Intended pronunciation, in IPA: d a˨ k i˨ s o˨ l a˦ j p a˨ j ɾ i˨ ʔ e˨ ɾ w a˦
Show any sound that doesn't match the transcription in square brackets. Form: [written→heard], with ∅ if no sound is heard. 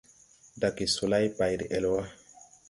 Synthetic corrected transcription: d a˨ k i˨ s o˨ l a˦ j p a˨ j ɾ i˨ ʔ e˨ [ɾ→l] w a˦